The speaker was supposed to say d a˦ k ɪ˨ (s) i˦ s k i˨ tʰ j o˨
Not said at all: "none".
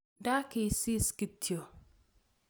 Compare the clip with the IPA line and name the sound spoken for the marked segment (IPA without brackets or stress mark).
s